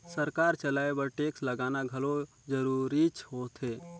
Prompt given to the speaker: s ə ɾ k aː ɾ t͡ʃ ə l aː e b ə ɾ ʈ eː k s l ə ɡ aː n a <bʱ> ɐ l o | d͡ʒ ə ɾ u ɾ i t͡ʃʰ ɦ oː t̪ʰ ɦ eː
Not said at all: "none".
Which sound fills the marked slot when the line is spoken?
ɡʱ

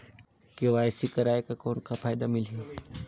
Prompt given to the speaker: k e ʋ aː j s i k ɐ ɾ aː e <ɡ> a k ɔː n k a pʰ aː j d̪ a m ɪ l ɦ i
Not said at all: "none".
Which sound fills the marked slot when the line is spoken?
k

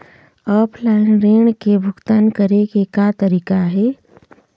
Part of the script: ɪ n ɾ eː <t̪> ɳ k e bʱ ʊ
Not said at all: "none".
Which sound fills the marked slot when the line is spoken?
none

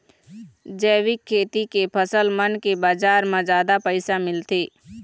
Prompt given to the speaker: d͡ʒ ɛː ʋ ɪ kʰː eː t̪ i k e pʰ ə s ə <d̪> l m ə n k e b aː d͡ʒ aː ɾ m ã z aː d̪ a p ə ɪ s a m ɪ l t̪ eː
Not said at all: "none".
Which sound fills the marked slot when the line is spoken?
none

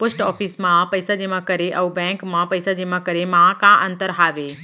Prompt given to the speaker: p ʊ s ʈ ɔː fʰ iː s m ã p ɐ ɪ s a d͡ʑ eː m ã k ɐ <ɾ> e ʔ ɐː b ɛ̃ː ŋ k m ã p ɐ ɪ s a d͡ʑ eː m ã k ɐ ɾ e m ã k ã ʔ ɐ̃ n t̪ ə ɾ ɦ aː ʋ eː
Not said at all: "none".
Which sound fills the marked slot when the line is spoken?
ɾ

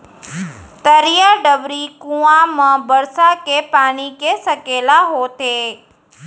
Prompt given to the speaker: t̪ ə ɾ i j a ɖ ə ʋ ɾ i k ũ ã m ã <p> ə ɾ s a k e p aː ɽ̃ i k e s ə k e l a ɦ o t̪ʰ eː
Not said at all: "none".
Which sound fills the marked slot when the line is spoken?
b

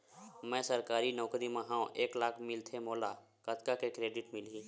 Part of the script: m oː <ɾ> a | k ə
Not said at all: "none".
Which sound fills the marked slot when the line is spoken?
l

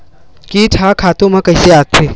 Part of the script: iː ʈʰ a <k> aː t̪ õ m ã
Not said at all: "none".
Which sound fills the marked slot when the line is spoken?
kʰ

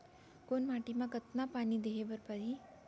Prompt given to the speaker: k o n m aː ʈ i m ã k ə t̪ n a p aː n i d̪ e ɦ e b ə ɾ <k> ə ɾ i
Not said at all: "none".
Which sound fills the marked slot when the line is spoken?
p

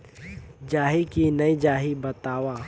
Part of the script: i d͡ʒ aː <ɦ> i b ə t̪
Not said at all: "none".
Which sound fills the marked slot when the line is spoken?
ɦ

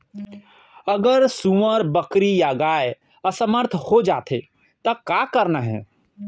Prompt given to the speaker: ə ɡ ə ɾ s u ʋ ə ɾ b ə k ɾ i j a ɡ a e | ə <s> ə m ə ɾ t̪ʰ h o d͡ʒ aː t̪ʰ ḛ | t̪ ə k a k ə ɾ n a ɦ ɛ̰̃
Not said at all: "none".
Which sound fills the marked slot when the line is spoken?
s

